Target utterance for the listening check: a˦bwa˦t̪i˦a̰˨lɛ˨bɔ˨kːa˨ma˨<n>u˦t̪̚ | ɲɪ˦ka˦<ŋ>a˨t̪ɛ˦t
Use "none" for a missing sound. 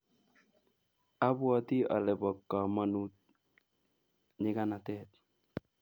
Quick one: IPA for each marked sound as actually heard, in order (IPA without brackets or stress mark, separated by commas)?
n, n